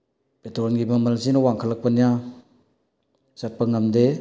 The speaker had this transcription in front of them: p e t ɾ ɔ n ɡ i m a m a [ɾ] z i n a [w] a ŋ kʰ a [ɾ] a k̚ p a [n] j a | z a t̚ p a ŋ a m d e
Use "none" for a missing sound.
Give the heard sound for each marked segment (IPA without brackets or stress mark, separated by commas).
l, w, l, n